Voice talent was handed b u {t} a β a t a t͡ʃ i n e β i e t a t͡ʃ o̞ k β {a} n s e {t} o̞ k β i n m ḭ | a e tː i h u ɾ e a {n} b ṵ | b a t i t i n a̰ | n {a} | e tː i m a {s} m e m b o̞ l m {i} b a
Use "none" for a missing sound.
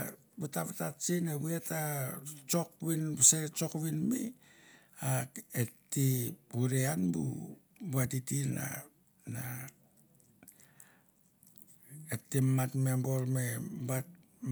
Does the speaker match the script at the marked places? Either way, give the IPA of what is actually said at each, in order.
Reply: t, i, t͡ʃ, n, a, t, e

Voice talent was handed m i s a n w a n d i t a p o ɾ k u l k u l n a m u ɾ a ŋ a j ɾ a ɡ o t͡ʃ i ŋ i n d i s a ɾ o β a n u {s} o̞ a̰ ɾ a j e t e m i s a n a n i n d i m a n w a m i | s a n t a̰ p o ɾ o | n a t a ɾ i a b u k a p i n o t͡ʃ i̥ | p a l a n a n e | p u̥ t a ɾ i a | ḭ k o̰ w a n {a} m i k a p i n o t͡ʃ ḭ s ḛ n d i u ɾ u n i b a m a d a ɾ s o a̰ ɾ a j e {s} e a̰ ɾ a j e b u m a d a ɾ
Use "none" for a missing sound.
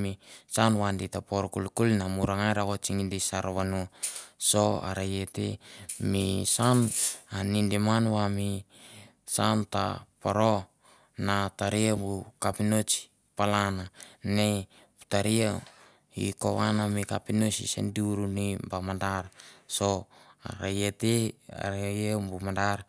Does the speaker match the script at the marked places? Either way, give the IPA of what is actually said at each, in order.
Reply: s, a, t

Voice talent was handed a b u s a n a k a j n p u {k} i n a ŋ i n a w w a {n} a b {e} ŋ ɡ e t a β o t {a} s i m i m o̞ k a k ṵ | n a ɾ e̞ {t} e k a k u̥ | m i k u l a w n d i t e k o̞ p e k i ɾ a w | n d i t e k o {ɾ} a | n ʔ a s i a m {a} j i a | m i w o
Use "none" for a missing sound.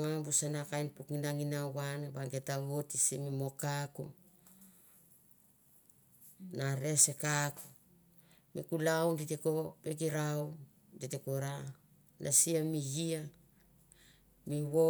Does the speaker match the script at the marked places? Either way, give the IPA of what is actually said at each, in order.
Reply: k, n, a, i, s, ɾ, i

